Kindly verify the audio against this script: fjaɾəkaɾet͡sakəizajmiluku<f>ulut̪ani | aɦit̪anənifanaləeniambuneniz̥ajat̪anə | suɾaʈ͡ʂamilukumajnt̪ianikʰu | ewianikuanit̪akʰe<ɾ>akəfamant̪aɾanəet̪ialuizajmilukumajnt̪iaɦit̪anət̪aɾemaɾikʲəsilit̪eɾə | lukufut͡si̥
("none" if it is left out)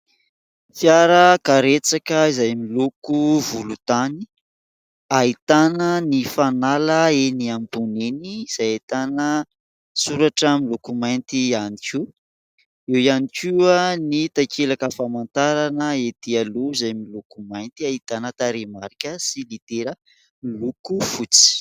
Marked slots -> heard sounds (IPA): v, l

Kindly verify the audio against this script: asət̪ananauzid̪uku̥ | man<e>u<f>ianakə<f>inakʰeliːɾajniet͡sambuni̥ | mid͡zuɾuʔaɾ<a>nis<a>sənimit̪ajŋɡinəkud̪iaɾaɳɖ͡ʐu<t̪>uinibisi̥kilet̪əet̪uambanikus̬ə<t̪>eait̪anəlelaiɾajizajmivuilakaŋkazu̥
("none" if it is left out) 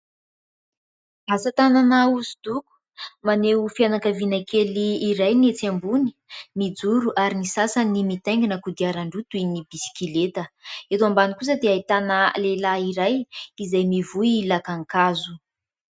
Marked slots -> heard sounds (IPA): e, f, v, i, a, t̪, d̪

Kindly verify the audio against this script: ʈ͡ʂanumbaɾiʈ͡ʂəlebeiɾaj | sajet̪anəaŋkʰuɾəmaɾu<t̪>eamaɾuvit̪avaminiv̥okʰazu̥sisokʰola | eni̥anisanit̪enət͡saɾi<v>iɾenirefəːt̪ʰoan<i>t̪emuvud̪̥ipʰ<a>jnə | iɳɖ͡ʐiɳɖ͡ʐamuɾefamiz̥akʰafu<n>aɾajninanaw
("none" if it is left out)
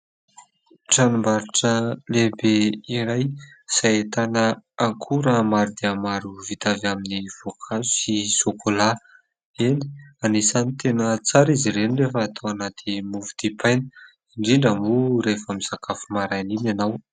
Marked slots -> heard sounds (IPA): d̪, z, a, a, m

